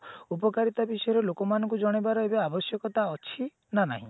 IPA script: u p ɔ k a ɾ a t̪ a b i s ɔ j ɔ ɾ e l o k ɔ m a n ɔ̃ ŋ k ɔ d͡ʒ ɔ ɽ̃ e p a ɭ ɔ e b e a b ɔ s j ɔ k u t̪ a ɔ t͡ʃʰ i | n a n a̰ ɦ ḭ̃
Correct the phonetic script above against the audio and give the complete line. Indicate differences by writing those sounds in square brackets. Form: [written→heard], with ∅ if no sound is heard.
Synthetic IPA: u p ɔ k a ɾ [a→i] t̪ a b i s ɔ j ɔ ɾ e l o k ɔ m a n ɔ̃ ŋ k [ɔ→u] d͡ʒ ɔ ɽ̃ e [p→b] a [ɭ→ɾ] ɔ e b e a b ɔ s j ɔ k [u→ɔ] t̪ a ɔ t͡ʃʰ i | n a n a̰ ɦ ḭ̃